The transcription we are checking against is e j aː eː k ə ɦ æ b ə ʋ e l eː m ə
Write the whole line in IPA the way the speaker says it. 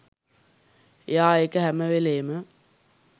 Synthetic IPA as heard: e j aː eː k ə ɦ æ m ə ʋ e l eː m ə